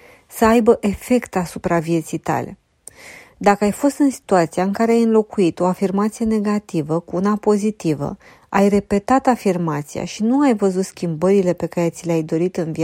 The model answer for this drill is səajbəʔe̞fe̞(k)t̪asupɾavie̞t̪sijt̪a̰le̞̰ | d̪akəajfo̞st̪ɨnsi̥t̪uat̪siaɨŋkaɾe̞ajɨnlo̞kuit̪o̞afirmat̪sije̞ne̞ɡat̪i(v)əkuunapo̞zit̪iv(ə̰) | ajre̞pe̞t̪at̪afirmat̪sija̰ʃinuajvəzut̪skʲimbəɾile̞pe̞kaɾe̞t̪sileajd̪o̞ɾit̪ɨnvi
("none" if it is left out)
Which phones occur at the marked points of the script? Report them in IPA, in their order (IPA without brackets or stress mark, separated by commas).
k, v, ə̰